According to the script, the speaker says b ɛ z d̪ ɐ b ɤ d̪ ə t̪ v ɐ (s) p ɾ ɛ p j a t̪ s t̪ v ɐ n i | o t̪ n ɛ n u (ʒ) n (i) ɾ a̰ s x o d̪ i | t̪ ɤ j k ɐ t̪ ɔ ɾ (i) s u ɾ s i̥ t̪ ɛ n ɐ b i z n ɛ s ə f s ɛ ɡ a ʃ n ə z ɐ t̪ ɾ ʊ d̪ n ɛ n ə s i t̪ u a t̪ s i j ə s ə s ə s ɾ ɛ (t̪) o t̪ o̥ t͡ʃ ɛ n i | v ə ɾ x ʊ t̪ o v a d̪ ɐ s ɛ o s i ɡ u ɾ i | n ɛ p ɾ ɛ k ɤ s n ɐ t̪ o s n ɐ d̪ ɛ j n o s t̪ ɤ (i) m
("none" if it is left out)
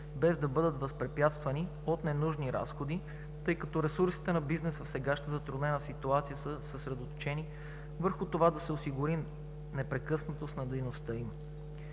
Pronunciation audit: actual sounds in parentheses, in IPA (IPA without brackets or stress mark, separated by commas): s, ʒ, i, ɛ, d̪, i